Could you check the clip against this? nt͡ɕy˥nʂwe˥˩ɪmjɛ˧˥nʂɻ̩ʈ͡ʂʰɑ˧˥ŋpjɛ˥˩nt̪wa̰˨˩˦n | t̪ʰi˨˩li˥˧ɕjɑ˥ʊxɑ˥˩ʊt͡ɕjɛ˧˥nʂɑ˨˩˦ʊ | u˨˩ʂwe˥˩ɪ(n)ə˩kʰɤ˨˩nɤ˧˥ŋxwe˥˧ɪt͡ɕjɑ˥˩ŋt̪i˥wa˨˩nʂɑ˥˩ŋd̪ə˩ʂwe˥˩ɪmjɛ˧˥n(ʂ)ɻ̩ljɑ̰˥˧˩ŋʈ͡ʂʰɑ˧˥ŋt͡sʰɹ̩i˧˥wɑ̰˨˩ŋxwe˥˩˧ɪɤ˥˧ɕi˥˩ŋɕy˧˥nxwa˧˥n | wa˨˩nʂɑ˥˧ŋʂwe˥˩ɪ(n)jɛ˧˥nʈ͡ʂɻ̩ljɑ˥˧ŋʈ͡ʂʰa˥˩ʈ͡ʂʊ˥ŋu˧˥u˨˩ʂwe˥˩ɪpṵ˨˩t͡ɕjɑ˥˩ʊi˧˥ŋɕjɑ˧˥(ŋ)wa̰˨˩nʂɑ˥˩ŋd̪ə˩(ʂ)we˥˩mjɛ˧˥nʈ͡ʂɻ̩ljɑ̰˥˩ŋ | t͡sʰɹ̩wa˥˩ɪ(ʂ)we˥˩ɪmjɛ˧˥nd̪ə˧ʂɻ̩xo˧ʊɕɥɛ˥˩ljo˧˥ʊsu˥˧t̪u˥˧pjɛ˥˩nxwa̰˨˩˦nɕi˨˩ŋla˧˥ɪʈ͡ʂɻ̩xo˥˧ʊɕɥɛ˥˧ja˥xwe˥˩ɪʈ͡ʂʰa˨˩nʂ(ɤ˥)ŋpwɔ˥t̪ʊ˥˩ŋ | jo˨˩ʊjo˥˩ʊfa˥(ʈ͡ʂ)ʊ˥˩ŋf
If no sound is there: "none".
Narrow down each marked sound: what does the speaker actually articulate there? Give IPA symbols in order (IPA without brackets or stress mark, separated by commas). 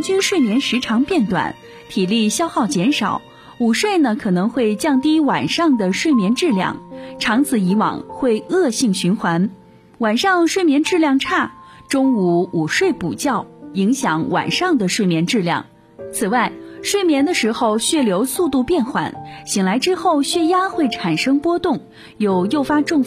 n, ʈ͡ʂ, m, ŋ, ʂ, ʂ, ɤ˥, ʈ͡ʂ